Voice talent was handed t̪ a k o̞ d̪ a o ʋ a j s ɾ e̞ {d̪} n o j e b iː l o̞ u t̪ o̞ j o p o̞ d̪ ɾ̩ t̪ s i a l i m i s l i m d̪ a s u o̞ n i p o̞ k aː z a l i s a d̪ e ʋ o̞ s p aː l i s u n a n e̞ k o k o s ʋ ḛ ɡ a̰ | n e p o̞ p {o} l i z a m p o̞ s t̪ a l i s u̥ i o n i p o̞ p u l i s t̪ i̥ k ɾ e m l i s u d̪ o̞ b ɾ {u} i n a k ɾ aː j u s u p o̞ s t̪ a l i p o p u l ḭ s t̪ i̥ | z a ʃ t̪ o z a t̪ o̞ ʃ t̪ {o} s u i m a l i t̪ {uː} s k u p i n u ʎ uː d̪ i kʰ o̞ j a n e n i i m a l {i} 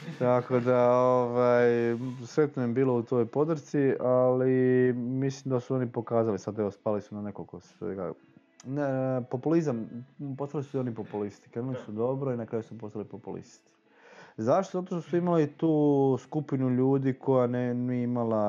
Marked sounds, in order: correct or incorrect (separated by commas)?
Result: incorrect, incorrect, incorrect, correct, correct, incorrect